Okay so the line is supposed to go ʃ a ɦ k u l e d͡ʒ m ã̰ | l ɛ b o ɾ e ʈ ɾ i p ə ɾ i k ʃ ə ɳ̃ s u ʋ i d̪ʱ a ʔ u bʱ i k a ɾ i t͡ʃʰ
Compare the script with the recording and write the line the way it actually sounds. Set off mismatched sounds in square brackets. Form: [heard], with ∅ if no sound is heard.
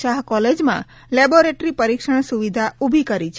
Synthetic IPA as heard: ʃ a ɦ k [ɔ] l e d͡ʒ m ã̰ | l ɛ b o ɾ e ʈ ɾ i p ə ɾ i k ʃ ə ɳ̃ s u ʋ i d̪ʱ a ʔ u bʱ i k [ə] ɾ i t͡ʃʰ